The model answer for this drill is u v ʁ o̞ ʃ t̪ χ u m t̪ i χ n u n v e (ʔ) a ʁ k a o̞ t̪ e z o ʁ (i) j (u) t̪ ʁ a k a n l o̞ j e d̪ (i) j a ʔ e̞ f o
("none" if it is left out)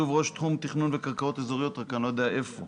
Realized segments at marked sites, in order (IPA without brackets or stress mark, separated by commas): k, i, o, e